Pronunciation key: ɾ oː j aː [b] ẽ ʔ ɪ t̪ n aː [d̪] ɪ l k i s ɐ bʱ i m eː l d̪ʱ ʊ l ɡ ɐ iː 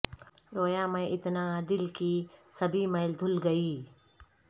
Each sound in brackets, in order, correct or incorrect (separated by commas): incorrect, correct